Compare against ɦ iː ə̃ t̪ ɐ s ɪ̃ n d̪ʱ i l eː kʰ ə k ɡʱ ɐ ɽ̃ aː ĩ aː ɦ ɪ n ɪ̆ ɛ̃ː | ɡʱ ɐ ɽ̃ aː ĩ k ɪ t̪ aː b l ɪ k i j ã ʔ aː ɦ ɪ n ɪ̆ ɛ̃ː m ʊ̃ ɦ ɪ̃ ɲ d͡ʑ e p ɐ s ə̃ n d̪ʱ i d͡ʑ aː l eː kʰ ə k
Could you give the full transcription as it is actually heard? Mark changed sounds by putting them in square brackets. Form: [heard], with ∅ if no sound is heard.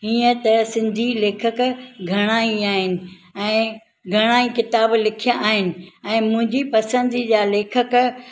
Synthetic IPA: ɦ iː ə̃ t̪ ɐ s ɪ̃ n d̪ʱ i l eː kʰ ə k ɡʱ ɐ ɽ̃ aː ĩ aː ɦ ɪ n ɪ̆ ɛ̃ː | ɡʱ ɐ ɽ̃ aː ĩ k ɪ t̪ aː b l ɪ [kʰ] i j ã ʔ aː ɦ ɪ n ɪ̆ ɛ̃ː m ʊ̃ ɦ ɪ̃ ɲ d͡ʑ [i] p ɐ s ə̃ n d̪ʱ i d͡ʑ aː l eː kʰ ə k

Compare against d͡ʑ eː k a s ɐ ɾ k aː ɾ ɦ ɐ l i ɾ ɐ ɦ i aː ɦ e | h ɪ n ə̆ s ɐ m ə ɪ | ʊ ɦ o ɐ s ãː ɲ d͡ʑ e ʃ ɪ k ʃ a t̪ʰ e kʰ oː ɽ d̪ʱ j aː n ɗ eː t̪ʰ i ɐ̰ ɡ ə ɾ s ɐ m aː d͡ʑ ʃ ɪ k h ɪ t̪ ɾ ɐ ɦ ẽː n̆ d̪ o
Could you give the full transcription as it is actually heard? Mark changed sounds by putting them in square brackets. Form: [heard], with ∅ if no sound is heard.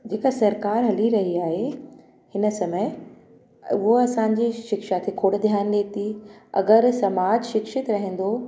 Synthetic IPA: d͡ʑ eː k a s ɐ ɾ k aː ɾ ɦ ɐ l i ɾ ɐ ɦ i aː ɦ e | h ɪ n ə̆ s ɐ m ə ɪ | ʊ ɦ o ɐ s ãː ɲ d͡ʑ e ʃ ɪ k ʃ a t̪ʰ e kʰ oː ɽ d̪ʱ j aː n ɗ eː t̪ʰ i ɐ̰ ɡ ə ɾ s ɐ m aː d͡ʑ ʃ ɪ k [ʃ] ɪ t̪ ɾ ɐ ɦ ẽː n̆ d̪ o

